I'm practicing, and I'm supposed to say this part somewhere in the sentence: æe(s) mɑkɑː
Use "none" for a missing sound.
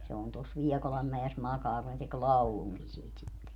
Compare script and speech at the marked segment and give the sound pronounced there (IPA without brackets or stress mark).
s